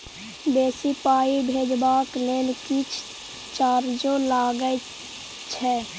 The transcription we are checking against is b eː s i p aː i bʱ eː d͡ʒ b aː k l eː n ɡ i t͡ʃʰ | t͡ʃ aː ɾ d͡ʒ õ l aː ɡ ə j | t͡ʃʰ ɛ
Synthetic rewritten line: b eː s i p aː i bʱ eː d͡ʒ b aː k l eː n k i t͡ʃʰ | t͡ʃ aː ɾ d͡ʒ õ l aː ɡ ə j | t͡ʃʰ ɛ